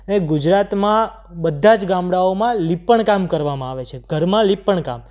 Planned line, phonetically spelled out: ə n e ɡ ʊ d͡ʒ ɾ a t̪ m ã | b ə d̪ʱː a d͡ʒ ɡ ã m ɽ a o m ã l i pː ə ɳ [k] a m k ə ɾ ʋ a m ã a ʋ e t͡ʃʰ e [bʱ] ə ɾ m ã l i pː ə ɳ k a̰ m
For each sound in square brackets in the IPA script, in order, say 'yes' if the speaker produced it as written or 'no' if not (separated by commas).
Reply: yes, no